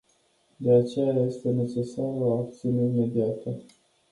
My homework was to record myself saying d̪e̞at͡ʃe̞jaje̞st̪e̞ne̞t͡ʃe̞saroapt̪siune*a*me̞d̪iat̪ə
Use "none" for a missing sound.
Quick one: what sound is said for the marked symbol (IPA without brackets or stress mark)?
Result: i